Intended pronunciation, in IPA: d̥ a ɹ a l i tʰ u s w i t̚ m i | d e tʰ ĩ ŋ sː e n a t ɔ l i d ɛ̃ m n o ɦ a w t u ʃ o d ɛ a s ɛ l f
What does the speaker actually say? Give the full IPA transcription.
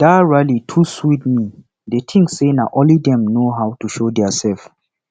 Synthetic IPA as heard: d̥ a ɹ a l i tʰ u s w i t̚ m i | d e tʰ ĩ ŋ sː e n a ʔ ɔ l i d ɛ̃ m n o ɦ a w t u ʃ o d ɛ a s ɛ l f